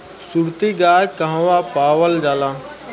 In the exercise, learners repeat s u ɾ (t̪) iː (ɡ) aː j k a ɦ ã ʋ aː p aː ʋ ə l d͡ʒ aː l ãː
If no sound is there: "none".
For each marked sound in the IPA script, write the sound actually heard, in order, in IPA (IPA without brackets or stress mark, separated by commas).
t̪, ɡ